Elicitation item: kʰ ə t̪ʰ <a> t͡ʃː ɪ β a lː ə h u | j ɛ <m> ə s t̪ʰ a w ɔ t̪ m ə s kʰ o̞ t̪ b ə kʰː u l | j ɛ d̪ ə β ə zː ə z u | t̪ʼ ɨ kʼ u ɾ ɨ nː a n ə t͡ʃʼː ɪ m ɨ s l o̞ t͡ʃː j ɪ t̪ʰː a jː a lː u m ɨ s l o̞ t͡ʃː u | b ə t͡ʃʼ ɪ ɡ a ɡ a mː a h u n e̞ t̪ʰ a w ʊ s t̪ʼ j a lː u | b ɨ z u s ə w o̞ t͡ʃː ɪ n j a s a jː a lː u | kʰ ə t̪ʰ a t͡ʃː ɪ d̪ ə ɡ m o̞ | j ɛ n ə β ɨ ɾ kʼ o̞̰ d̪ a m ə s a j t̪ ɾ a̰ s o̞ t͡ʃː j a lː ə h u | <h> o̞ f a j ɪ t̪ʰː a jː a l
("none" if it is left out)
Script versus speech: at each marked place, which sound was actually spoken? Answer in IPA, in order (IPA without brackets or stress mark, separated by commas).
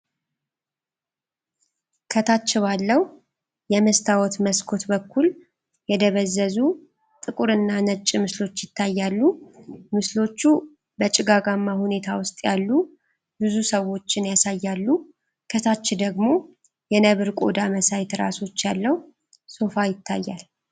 a, m, s